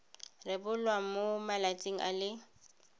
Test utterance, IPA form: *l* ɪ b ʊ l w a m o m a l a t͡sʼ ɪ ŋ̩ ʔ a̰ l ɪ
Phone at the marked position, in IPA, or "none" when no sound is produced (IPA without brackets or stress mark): r